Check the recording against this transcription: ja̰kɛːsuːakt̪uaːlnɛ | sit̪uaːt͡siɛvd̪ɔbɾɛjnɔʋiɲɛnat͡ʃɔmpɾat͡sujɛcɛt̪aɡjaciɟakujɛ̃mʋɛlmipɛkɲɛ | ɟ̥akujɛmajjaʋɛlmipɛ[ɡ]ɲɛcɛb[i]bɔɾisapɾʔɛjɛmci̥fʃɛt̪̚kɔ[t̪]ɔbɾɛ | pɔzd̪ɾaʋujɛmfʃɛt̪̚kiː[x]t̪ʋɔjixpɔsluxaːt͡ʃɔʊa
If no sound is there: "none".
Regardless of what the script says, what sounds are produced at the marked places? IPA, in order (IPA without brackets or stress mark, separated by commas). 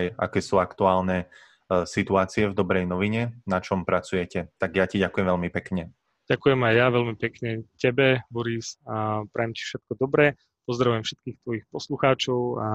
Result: k, ɛ, d̪, x